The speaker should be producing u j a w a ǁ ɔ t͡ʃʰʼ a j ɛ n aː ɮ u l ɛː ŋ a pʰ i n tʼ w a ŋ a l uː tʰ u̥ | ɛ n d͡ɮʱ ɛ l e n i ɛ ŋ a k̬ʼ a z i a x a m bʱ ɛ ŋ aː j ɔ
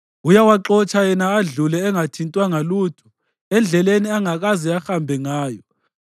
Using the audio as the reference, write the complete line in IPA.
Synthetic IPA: u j a w a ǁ ɔ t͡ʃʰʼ a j ɛ n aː ɮ u l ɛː ŋ a tʰ i n tʼ w a ŋ a l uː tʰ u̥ | ɛ n d͡ɮʱ ɛ l e n i a ŋ a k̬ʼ a z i a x a m bʱ ɛ ŋ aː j ɔ

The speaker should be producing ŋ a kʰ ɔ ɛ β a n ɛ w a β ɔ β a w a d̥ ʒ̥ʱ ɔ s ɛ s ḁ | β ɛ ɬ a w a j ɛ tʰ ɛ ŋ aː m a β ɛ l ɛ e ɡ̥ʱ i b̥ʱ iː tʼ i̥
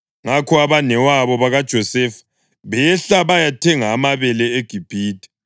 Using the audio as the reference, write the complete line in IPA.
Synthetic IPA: ŋ a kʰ ɔ a β a n ɛ w a β ɔ β a ɣ a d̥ ʒ̥ʱ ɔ s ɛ f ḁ | β ɛ ɬ a β a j a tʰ ɛ ŋ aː m a β ɛ l ɛ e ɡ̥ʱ i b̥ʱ iː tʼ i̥

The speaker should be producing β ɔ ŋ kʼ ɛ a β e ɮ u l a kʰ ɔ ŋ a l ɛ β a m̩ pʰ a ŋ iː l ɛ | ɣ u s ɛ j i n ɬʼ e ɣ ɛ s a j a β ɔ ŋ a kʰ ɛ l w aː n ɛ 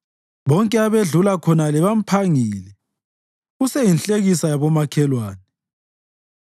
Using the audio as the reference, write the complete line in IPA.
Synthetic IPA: β ɔ ŋ kʼ ɛ a β e ɮ u l a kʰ ɔ n a l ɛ β a m̩ pʰ a ŋ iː l ɛ | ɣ u s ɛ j i n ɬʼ e ɣ i s a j a β ɔ m a kʰ ɛ l w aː n ɛ

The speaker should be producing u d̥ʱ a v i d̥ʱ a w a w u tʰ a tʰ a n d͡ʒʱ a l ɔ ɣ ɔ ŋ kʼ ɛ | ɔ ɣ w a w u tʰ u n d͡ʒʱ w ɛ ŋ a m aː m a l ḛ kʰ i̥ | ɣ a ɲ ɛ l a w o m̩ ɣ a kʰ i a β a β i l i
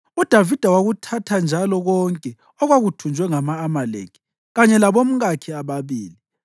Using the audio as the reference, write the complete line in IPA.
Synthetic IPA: u d̥ʱ a v i d̥ʱ a w a ɣ u tʰ a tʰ a n d͡ʒʱ a l ɔ ɣ ɔ ŋ kʼ ɛ | ɔ ɣ w a ɣ u tʰ u n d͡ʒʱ w ɛ ŋ a m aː m a l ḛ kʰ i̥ | ɣ a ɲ ɛ l a β o m̩ ɣ a kʰ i a β a β iː l i

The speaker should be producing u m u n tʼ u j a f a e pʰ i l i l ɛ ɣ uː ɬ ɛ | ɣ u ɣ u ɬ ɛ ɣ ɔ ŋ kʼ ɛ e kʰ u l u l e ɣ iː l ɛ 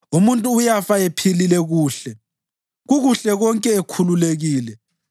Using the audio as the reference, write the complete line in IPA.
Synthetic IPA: u m u n tʼ uː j a f a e pʰ i l i l ɛ ɣ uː ɬ ɛ | ɣ u ɣ u ɬ ɛ ɣ ɔ ŋ kʼ ɛ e kʰ u l u l e ɣ iː l ɛ

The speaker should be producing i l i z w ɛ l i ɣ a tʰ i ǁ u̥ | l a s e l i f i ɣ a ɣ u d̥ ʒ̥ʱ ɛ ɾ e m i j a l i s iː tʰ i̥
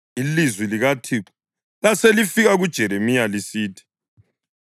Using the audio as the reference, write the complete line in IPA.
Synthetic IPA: i l i z w i l i ɣ a tʰ i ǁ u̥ | l a s e l i f i ɣ a ɣ u d̥ ʒ̥ʱ ɛ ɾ e m i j a l i s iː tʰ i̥

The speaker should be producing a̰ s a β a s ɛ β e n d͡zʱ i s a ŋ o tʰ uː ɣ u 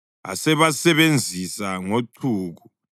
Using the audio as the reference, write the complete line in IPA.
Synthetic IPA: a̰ s ɛ β a s ɛ β e n d͡zʱ i s a ŋ o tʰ uː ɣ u

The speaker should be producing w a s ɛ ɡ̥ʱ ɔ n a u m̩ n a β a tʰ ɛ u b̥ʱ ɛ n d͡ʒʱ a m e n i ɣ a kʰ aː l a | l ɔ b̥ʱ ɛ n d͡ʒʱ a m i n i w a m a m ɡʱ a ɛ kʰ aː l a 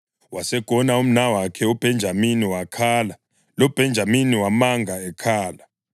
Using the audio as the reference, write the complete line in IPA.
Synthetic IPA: w a s ɛ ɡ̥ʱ ɔ n a u m̩ n a w a kʰ ɛ u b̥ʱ ɛ n d͡ʒʱ a m i n i w a kʰ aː l a | l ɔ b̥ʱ ɛ n d͡ʒʱ a m i n i w a m a ŋ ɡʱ a ɛ kʰ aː l a

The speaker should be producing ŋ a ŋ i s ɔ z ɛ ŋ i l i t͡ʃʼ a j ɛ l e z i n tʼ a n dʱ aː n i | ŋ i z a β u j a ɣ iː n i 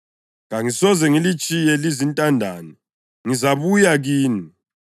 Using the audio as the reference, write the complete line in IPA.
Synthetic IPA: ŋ a ŋ i s ɔ z ɛ ŋ i l i t͡ʃʼ i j ɛ l i z i n tʼ a n dʱ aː n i | ŋ i z a β u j a ɣ iː n i

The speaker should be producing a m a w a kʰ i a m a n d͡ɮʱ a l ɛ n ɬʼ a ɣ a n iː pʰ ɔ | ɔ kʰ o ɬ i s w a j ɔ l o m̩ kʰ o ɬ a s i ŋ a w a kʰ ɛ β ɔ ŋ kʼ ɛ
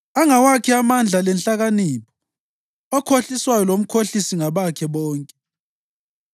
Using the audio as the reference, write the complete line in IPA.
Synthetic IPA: a ŋ a w a kʰ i a m a n d͡ɮʱ a l ɛ n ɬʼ a ɣ a n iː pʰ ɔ | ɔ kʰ o ɬ i s w a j ɔ l o m̩ kʰ o ɬ i s i ŋ a β a kʰ ɛ β ɔː ŋ kʼ ɛ

